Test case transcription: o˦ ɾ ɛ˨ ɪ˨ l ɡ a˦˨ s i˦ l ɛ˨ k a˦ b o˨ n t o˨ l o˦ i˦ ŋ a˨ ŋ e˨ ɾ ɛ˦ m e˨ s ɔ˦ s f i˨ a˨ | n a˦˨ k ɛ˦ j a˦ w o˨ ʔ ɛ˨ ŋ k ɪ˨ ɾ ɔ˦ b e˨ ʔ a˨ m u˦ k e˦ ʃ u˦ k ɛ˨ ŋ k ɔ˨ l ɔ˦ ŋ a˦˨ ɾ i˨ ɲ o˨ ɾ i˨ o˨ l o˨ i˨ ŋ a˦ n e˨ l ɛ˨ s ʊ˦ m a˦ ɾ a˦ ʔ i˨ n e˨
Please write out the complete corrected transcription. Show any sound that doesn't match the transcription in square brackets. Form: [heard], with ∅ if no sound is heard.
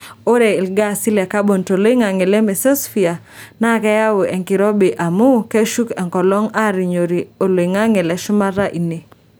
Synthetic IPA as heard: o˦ ɾ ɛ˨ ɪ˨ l ɡ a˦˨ s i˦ l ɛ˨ k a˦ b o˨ n t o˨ l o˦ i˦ ŋ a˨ ŋ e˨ [l] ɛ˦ m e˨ s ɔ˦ s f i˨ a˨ | n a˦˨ k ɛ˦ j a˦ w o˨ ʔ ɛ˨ ŋ k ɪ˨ ɾ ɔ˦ b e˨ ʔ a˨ m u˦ k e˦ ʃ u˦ k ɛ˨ ŋ k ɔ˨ l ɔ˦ ŋ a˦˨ ɾ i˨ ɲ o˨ ɾ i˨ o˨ l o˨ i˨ ŋ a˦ [ŋ] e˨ l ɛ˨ [ʃ] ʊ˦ m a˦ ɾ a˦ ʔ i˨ n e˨